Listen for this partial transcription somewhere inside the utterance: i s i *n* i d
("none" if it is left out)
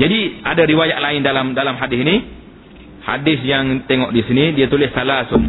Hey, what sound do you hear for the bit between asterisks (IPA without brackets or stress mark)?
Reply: n